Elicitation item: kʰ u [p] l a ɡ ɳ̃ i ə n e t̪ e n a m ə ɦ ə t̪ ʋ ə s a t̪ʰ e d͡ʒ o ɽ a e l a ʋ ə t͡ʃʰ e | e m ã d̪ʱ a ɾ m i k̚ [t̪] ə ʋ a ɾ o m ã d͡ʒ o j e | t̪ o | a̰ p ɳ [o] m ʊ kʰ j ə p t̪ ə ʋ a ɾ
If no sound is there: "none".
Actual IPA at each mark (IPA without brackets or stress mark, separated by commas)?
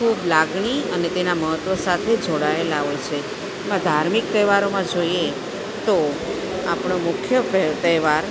b, t̪, o